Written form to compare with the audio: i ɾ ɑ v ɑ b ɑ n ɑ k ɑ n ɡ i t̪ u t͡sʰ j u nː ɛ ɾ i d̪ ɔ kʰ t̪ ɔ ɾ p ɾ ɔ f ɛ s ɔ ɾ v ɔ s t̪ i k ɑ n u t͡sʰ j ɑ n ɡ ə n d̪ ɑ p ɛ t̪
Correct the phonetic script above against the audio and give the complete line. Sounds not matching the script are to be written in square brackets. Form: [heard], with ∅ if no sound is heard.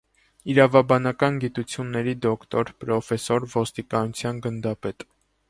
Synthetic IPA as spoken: i ɾ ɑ v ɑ b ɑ n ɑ k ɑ n ɡ i t̪ u t͡sʰ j u nː ɛ ɾ i d̪ ɔ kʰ t̪ ɔ ɾ p ɾ ɔ f ɛ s ɔ ɾ v ɔ s t̪ i k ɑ n u t͡sʰ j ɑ n ɡ ə n d̪ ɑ p ɛ t̪